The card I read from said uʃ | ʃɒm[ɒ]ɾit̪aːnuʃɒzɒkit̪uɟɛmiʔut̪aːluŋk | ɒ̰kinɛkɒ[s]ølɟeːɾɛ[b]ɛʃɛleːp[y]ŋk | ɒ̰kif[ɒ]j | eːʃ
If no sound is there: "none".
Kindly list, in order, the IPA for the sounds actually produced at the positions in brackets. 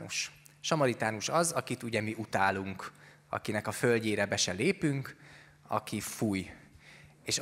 ɒ, f, b, y, u

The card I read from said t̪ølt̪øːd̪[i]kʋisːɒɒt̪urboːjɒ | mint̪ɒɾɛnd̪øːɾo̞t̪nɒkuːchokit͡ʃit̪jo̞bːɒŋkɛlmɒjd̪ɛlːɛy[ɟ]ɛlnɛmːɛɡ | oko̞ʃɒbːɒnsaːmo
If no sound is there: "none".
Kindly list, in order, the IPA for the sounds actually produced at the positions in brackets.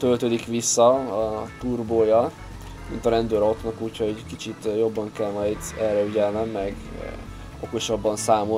i, ɟ

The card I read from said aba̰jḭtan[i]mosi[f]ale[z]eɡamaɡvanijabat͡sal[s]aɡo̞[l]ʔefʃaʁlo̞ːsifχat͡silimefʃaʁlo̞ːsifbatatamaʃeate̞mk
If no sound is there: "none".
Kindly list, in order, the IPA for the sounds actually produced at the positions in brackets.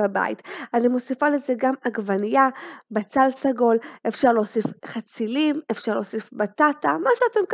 i, f, z, s, l

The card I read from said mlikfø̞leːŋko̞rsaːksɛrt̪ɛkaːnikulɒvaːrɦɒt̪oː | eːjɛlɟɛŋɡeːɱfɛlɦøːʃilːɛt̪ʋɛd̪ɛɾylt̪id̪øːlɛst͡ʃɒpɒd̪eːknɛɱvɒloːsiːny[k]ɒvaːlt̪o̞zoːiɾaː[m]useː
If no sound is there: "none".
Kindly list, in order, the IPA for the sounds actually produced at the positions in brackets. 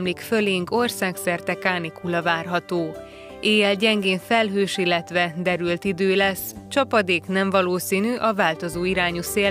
ʔ, ɲ

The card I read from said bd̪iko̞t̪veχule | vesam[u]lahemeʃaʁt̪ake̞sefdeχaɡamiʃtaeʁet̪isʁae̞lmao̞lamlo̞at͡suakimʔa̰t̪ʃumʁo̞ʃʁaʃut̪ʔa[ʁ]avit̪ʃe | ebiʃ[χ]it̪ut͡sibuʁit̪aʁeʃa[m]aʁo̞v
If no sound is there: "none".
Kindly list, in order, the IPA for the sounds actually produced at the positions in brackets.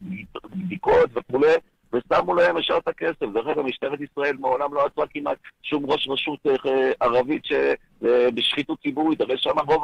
u, ʁ, χ, m

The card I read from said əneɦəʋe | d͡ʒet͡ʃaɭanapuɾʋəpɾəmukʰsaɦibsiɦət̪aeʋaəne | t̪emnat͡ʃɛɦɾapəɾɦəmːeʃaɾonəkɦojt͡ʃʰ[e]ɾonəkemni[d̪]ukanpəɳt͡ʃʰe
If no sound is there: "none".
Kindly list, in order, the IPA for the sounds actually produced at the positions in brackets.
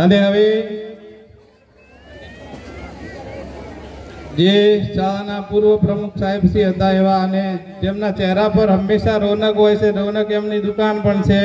e, d̪

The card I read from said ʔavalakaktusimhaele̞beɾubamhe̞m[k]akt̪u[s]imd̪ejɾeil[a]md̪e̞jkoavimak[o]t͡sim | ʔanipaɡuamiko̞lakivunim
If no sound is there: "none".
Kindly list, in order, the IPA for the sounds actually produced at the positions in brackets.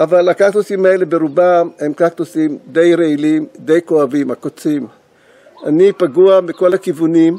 k, s, i, o

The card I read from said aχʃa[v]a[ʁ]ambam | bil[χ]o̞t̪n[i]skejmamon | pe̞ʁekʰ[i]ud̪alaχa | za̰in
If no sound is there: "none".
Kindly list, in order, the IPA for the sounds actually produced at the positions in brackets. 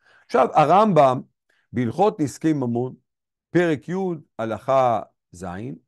v, ʁ, χ, i, j

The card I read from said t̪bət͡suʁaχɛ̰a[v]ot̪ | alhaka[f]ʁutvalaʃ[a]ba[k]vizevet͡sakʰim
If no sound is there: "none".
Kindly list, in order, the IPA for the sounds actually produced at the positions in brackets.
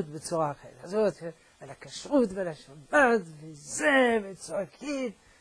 z, ʃ, a, t

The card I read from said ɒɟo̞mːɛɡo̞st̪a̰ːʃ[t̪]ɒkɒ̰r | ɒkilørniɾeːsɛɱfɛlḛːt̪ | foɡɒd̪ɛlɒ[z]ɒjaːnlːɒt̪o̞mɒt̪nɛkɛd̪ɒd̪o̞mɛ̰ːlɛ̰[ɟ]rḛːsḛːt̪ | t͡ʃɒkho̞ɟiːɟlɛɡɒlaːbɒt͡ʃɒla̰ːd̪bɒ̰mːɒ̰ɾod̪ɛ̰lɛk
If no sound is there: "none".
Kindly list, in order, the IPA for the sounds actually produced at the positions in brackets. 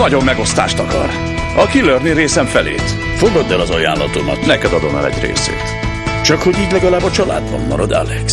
t̪, z, ɟ

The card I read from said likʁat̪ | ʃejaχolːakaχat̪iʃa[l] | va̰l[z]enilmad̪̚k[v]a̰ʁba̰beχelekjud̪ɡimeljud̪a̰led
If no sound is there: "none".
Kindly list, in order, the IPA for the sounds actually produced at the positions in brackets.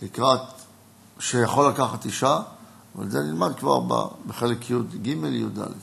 none, z, v

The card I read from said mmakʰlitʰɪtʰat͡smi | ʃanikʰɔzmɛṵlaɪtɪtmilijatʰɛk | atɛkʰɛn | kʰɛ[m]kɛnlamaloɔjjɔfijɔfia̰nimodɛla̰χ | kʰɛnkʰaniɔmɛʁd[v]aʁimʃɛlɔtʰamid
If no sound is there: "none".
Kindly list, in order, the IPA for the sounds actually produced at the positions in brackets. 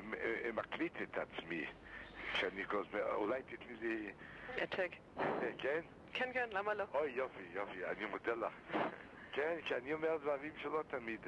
n, v

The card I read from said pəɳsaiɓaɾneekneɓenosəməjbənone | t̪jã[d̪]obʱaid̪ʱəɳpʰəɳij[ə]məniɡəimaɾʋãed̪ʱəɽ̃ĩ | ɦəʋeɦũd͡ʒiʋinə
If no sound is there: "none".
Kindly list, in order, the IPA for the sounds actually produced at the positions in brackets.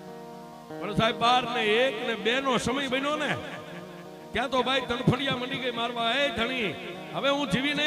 t̪, a

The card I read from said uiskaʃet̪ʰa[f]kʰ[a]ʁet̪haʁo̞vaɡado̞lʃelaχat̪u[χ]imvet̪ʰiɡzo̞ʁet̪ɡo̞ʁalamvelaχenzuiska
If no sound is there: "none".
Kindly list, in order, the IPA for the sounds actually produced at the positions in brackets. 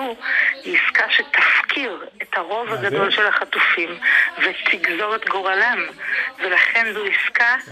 f, i, f

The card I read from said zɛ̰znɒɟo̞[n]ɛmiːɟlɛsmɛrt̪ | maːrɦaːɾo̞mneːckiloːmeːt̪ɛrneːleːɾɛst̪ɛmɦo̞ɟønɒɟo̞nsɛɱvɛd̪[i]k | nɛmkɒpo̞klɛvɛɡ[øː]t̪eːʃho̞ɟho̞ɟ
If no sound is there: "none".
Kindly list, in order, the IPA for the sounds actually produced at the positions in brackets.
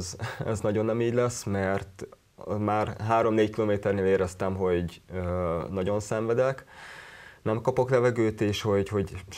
nː, ɛ, øː

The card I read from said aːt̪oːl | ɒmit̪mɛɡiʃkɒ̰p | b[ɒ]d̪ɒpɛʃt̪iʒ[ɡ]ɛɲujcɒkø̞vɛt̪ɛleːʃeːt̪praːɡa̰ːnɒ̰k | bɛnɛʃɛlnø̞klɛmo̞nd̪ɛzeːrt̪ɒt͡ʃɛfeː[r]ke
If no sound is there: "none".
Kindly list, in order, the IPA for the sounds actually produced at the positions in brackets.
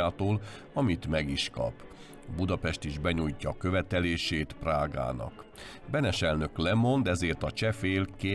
u, b, l

